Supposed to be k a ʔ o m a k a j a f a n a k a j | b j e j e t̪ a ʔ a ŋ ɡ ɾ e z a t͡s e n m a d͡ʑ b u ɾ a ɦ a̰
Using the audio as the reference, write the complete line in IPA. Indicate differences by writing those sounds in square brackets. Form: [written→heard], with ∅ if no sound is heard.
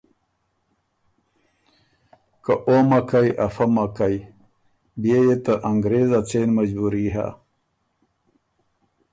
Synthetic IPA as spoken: k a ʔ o m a k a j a f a [n→m] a k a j | b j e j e t̪ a ʔ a ŋ ɡ ɾ e z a t͡s e n m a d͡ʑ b u ɾ [a→i] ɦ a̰